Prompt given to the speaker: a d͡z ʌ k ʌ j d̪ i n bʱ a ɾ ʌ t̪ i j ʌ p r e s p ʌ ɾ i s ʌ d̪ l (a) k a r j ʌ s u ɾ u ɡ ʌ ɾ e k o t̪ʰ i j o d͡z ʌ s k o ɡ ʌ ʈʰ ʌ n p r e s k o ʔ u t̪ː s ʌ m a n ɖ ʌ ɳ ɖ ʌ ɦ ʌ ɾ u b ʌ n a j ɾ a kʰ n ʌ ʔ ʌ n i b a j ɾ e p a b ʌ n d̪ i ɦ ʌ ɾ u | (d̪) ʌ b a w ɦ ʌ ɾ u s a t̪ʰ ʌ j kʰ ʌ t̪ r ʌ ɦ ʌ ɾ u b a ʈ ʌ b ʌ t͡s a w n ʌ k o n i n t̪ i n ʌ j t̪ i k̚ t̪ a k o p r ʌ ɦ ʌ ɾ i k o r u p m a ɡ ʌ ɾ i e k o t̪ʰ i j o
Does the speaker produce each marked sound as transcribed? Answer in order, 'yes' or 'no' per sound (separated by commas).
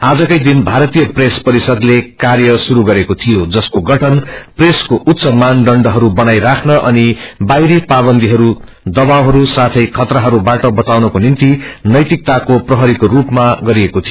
no, yes